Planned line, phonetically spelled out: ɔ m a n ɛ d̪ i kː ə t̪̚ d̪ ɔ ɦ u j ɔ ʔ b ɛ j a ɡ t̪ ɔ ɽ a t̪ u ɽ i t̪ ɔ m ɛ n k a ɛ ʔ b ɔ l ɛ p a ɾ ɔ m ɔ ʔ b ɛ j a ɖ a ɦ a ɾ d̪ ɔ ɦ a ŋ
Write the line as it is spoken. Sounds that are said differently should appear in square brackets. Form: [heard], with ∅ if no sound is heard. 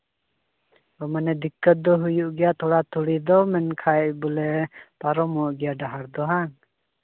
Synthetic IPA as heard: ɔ m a n ɛ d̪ i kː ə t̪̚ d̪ ɔ ɦ u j [u] ʔ [ɡ] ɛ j a [∅] t̪ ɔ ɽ a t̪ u ɽ i [d̪] ɔ m ɛ n [kʰ] a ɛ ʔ b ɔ l ɛ p a ɾ ɔ m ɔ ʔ [ɡ] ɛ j a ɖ a ɦ a ɾ d̪ ɔ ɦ a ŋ